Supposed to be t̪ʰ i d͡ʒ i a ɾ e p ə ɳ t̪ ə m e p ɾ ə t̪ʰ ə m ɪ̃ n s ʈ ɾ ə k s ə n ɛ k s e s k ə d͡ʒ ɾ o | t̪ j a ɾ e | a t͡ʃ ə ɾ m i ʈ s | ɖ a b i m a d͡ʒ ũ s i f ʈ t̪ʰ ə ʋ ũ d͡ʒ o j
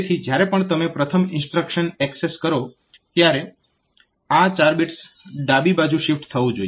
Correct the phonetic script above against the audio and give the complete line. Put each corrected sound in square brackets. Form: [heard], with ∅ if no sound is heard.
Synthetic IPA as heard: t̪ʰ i d͡ʒ [j] a ɾ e p ə ɳ t̪ ə m e p ɾ ə t̪ʰ ə m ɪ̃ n s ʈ ɾ ə k [ʃ] ə n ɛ k s e s k ə [∅] ɾ o | t̪ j a ɾ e | a t͡ʃ [a] ɾ [b] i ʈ s | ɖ a b i [b] a d͡ʒ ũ [ʃ] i f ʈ t̪ʰ ə ʋ ũ d͡ʒ o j